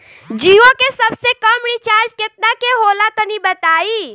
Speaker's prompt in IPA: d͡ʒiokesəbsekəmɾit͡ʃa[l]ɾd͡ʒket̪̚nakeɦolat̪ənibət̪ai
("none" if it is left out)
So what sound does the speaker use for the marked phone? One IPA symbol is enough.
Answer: none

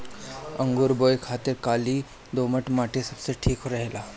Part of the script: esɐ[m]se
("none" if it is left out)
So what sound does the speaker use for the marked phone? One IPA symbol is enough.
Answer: b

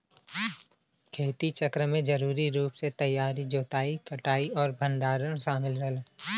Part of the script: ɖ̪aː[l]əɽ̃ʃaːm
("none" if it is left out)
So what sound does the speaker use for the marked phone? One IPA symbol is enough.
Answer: ɾ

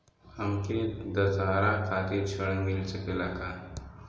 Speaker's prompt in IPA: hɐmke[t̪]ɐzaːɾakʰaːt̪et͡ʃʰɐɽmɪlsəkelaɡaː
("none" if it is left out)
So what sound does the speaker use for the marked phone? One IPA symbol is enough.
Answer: d̪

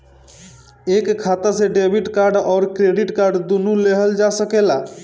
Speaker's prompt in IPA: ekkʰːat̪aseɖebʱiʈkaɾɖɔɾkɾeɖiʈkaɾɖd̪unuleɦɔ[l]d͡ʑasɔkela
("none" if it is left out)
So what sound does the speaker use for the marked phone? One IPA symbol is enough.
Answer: l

